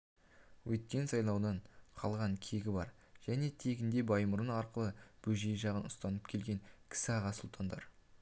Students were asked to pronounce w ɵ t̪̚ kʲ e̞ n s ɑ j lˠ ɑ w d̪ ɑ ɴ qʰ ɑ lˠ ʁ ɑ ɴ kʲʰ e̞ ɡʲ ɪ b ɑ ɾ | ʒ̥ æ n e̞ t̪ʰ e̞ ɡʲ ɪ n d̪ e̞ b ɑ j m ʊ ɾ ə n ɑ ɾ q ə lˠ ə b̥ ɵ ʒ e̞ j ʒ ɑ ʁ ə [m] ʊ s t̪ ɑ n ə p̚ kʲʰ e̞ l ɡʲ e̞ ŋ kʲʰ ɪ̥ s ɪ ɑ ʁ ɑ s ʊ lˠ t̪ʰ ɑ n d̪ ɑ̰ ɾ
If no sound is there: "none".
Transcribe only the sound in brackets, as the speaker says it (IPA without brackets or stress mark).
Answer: n